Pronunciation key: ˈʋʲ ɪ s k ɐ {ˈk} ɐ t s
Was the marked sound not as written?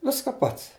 yes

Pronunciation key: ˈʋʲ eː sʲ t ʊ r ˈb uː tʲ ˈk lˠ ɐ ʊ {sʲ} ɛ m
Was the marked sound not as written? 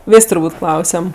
no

